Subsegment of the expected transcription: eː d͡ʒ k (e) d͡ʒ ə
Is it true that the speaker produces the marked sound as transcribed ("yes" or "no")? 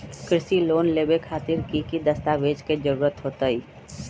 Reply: yes